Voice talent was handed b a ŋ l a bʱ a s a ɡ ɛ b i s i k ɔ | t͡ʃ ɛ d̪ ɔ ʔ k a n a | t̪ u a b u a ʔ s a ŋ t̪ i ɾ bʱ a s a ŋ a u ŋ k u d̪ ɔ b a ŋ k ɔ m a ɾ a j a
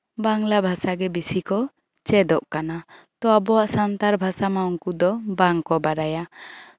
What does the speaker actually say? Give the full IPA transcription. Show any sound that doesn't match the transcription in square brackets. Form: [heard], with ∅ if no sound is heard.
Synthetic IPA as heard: b a ŋ l a bʱ a s a ɡ ɛ b i s i k ɔ | t͡ʃ ɛ d̪ ɔ ʔ k a n a | t̪ [ɔ] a b [ɔ] a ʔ s a [n] t̪ [a] ɾ bʱ a s a [m] a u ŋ k u d̪ ɔ b a ŋ k ɔ [b] a ɾ a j a